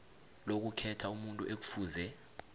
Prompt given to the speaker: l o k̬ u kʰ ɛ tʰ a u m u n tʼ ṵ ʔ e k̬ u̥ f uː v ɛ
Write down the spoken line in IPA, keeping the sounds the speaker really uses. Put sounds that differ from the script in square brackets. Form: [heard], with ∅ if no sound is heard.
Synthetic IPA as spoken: l o k̬ u kʰ ɛ tʰ a u m u n tʼ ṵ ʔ e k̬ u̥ f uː [z] ɛ

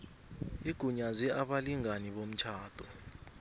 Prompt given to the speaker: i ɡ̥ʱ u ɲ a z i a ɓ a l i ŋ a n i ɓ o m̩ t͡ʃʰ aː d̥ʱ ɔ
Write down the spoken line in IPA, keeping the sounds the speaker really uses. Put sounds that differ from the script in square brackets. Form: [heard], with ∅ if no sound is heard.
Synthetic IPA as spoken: i ɡ̥ʱ u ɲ a z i a ɓ a l i ŋ a n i ɓ o m̩ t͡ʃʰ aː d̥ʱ ɔ

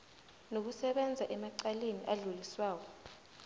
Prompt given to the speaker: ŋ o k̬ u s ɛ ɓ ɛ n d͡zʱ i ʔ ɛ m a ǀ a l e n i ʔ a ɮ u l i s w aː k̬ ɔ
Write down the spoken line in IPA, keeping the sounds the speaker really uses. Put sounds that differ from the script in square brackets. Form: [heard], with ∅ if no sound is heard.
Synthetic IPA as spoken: [n] o k̬ u s ɛ ɓ ɛ n d͡zʱ [a] ʔ ɛ m a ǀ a l e n i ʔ a ɮ u l i s w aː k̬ ɔ

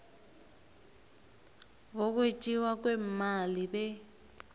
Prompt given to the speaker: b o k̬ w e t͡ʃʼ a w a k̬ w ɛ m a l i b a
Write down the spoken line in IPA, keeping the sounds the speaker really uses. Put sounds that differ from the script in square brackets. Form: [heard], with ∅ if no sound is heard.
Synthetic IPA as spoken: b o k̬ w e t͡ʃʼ [i] w a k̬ w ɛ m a l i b [ɛ]

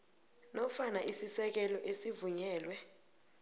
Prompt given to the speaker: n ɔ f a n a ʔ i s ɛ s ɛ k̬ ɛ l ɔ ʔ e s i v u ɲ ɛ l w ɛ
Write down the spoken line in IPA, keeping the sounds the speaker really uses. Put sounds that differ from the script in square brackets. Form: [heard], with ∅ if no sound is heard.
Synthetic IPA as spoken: n ɔ f a n a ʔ i s [i] s ɛ k̬ ɛ l ɔ ʔ e s i v u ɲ [ɛː] l w ɛ

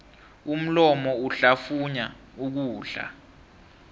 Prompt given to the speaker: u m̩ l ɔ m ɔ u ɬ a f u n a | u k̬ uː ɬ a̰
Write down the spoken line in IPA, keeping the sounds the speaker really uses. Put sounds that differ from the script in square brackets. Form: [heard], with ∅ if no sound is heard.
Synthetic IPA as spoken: u m̩ l ɔ m ɔ u ɬ a f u [ɲ] a | u k̬ uː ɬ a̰

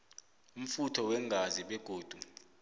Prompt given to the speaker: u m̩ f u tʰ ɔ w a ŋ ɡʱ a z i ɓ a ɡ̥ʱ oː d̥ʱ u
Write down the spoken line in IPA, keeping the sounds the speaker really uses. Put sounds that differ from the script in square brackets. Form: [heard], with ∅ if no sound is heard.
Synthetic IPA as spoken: u m̩ f u tʰ ɔ w [ɛ] ŋ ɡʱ a z i ɓ [ɛ] ɡ̥ʱ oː d̥ʱ u

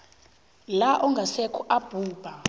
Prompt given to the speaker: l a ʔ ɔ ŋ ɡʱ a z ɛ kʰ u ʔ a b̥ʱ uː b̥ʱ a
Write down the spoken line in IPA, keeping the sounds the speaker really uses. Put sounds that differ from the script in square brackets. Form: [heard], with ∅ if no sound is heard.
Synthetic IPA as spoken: l a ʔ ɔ ŋ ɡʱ a [s] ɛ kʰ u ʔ a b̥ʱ uː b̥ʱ a

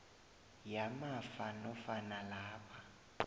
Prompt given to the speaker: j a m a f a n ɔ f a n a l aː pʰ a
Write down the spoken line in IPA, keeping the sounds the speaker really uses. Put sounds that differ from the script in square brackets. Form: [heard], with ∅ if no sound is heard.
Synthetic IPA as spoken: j a m a f a n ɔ f a n a l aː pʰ a

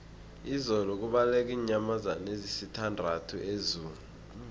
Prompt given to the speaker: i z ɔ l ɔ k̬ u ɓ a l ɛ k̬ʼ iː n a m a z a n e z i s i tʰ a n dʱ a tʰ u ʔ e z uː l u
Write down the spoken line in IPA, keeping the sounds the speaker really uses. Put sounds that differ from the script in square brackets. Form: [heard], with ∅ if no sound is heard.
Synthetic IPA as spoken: i z ɔ l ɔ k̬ u ɓ a l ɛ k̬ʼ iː [ɲ] a m a z a n e z i s i tʰ a n dʱ a tʰ u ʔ e z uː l u

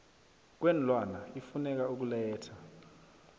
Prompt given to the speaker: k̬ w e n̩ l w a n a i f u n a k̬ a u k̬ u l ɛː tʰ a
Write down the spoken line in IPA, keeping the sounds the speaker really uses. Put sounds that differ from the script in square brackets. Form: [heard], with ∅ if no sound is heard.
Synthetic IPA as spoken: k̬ w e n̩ l w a n a i f u n [ɛ] k̬ a u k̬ u l ɛː tʰ a

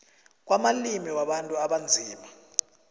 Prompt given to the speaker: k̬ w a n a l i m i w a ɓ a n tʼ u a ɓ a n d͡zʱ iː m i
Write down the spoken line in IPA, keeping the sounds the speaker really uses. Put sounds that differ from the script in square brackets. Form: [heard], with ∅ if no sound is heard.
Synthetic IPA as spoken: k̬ w a [m] a l i m i w a ɓ a n tʼ u a ɓ a n d͡zʱ iː m [a]

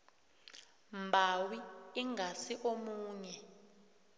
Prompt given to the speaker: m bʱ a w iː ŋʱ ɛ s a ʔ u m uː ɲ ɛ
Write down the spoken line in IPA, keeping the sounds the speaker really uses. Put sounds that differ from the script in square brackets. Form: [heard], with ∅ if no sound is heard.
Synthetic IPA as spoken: m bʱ a w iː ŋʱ [a] s [i] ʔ [o] m uː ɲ ɛ

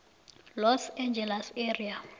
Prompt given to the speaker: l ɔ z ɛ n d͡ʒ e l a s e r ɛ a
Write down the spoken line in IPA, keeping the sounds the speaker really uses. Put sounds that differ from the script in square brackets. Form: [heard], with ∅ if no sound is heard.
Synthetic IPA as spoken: l ɔ [s] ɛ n d͡ʒ [ɛ] l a s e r [i] a

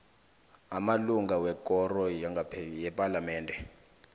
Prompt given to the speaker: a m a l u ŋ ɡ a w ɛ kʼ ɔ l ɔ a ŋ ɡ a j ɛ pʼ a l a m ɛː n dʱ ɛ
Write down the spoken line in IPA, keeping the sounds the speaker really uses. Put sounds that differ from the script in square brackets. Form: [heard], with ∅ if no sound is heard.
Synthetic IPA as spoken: a m a l u ŋ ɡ a w ɛ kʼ ɔ [r] ɔ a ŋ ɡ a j ɛ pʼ a l a m ɛː n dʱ ɛ

